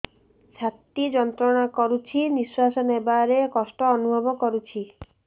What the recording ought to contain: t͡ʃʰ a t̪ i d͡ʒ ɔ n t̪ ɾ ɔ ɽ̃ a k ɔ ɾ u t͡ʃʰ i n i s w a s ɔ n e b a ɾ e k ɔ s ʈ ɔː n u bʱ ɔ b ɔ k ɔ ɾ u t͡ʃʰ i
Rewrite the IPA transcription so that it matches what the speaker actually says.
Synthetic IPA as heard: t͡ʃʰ a t̪ i d͡ʒ ɔ n t̪ ɾ ɔ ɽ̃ a k ɔ ɾ u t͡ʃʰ i n i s w a s ɔ n e b a ɾ e k ɔ s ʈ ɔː n u bʱ ɔ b ɔ k ɔ ɾ u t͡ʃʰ i